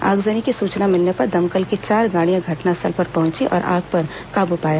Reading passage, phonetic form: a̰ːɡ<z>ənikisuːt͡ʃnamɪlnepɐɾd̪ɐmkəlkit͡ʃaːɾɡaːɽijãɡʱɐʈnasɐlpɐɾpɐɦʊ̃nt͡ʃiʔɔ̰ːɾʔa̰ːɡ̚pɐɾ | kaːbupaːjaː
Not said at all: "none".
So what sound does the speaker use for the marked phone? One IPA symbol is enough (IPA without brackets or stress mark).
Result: z